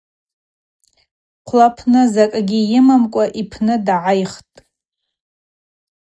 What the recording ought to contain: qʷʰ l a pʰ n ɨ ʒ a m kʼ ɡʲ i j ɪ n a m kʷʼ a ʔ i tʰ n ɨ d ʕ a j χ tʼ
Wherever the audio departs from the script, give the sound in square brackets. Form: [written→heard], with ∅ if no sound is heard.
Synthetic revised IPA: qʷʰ l a pʰ n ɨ [ʒ→z] a [m→∅] kʼ ɡʲ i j ɪ [n→m] a m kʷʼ a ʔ i [tʰ→pʰ] n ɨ d ʕ a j χ tʼ